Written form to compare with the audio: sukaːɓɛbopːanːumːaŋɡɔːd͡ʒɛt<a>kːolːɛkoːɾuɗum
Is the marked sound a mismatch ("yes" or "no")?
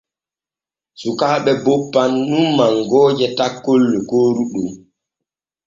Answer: no